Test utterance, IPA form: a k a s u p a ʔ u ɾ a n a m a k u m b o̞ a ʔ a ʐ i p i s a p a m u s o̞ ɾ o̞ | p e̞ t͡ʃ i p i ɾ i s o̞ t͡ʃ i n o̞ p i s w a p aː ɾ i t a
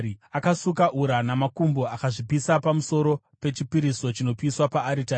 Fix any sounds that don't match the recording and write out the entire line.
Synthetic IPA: a k a s u k a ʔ u ɾ a n a m a k u m b o̞ a k a ʐ i p i s a p a m u s o̞ ɾ o̞ | p e̞ t͡ʃ i p i ɾ i s o̞ t͡ʃ i n o̞ p i s w a p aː ɾ i t a